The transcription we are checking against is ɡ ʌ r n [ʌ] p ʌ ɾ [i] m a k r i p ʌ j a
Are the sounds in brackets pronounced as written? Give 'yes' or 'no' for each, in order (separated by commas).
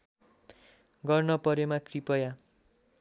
yes, no